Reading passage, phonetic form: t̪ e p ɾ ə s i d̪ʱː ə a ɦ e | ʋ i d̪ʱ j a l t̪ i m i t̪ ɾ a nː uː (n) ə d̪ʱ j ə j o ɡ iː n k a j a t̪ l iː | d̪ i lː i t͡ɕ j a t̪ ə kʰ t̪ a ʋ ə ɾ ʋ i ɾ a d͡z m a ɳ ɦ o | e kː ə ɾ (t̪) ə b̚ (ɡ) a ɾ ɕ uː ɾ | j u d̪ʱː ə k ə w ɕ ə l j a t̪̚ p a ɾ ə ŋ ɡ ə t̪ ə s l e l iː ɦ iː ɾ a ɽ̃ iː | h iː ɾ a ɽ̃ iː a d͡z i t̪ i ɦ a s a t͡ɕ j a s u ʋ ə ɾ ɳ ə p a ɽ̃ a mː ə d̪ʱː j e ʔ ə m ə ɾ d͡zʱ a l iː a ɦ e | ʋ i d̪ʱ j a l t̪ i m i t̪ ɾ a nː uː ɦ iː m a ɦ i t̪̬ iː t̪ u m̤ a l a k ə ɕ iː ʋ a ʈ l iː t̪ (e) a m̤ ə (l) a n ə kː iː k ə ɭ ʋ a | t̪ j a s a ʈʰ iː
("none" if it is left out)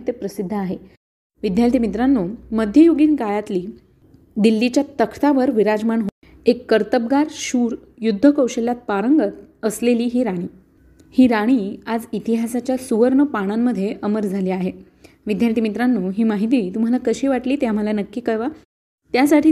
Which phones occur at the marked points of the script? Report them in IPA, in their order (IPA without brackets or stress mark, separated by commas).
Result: m, t̪, ɡ, e, l